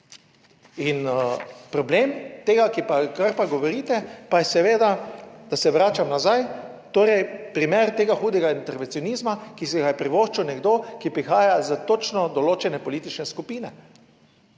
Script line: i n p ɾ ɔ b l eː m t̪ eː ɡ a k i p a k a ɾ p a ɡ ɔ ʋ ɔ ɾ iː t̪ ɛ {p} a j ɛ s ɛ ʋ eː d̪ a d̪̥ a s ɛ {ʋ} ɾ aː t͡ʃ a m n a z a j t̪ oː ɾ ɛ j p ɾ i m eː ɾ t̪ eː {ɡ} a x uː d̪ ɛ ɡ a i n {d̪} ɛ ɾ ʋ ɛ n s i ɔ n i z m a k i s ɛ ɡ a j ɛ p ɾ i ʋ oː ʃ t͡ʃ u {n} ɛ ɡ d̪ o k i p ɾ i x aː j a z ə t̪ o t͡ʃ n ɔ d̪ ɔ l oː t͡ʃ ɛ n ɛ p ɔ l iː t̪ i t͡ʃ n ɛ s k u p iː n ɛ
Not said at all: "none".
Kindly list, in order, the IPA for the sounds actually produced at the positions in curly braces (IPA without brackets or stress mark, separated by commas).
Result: p, ʋ, ɡ, t̪, n